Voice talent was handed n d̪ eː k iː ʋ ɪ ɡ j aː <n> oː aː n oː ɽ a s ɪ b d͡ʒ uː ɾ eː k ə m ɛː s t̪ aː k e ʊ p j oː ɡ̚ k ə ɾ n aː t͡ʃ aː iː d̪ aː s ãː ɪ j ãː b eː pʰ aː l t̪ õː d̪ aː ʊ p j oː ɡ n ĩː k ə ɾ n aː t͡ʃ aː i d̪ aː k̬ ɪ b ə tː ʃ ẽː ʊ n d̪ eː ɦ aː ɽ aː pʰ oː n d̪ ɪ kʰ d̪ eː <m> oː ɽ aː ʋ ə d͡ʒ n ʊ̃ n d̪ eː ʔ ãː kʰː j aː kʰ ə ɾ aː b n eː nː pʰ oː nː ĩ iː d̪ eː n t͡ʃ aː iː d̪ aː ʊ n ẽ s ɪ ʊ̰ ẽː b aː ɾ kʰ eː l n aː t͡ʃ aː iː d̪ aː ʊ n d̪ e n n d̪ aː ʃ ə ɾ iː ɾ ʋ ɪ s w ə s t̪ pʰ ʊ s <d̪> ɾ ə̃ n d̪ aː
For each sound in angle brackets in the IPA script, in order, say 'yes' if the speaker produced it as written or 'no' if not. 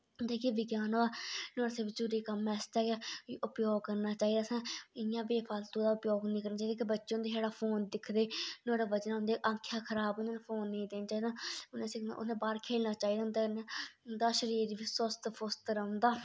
yes, no, no

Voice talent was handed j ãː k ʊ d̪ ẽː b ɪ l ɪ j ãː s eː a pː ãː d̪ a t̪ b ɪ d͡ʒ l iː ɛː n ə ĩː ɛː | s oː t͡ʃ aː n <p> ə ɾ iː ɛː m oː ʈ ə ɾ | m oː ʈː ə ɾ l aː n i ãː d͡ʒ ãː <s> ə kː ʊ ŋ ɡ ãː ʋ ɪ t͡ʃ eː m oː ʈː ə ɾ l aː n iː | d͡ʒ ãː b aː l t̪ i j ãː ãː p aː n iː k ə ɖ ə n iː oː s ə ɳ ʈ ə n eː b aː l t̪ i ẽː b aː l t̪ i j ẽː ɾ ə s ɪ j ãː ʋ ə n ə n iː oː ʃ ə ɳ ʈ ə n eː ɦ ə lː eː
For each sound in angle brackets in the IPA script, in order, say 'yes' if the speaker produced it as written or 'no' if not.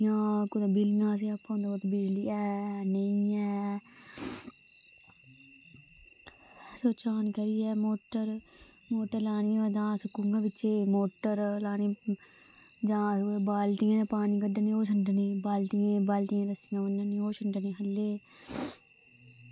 no, yes

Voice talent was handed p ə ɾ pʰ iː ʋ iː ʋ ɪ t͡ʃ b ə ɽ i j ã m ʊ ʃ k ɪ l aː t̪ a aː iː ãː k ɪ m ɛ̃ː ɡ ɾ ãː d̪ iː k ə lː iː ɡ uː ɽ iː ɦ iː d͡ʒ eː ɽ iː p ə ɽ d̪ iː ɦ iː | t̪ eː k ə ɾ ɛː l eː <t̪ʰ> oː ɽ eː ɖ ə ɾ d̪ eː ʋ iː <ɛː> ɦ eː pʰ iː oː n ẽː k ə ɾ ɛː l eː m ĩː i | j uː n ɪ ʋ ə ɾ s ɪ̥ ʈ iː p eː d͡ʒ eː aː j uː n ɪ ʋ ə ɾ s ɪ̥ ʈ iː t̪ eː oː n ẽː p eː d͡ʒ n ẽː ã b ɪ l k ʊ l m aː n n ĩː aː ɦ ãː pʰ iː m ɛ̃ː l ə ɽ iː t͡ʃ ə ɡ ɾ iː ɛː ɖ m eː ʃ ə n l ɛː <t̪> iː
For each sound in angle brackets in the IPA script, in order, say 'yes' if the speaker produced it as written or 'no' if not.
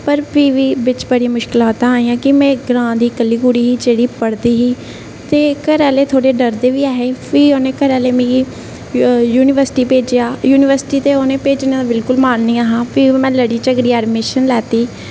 yes, no, yes

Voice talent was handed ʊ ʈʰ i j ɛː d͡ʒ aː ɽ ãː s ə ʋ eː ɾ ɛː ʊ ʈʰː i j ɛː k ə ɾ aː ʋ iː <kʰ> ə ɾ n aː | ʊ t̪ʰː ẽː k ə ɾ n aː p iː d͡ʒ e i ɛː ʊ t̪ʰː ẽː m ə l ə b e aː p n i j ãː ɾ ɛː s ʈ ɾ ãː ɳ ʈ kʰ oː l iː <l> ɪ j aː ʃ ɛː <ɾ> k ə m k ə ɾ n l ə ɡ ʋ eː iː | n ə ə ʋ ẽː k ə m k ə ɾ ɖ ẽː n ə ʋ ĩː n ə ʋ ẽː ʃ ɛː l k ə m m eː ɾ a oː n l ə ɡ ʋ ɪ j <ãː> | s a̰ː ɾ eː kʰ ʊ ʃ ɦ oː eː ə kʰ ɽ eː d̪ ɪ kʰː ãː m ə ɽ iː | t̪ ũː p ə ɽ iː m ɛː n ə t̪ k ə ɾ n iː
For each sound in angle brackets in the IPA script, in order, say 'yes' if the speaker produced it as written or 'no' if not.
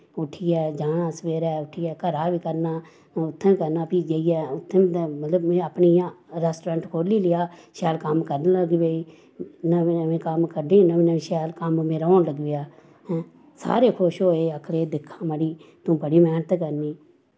no, yes, no, no

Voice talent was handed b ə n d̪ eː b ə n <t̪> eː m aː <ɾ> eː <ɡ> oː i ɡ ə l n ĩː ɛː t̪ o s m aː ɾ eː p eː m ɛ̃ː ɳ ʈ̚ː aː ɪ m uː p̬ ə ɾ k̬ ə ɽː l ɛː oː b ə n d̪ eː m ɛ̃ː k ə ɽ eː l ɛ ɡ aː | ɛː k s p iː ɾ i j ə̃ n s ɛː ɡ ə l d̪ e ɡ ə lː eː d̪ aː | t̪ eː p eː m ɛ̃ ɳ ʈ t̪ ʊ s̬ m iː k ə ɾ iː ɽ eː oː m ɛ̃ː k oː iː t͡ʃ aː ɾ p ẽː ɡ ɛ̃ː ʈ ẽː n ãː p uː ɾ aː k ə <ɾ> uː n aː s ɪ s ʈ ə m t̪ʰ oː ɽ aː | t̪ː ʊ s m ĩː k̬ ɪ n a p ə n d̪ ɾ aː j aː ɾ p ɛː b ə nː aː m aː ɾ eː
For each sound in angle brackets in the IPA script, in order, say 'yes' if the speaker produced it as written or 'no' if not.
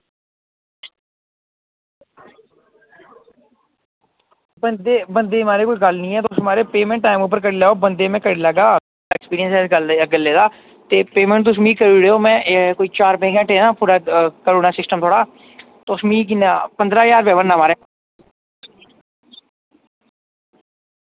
no, yes, no, yes

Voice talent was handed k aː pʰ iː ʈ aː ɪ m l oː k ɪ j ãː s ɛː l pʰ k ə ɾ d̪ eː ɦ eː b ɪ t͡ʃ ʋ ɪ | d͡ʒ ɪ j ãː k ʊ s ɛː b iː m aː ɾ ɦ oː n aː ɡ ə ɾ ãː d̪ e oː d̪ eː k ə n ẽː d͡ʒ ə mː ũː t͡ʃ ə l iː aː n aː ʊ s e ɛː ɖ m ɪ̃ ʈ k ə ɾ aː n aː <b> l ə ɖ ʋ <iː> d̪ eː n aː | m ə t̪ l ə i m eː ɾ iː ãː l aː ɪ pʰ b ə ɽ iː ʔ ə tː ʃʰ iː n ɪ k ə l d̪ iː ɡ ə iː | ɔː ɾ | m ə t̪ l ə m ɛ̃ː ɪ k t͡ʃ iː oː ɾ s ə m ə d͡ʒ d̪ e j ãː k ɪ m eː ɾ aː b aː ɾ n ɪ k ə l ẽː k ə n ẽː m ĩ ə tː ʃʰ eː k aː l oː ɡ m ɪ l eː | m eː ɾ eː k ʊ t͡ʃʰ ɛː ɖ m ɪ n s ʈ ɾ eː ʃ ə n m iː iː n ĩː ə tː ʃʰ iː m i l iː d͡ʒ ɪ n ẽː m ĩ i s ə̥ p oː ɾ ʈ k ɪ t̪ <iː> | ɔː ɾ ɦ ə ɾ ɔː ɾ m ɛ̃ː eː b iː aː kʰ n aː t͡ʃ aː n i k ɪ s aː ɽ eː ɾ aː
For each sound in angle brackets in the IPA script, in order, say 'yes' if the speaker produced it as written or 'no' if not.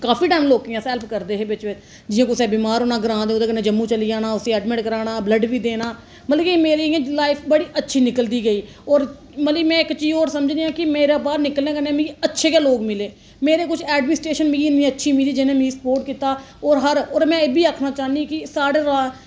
yes, yes, no

